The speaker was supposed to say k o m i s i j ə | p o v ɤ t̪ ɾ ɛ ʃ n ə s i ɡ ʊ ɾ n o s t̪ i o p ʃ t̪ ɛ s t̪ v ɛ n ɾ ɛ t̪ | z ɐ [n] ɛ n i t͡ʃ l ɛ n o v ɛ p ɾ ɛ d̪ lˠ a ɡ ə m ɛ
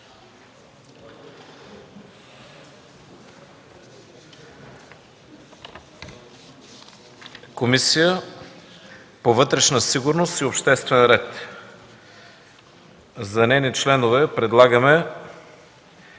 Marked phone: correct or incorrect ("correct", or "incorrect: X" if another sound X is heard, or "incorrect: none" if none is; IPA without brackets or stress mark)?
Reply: correct